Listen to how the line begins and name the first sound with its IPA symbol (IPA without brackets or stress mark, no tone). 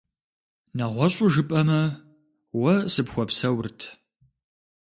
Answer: n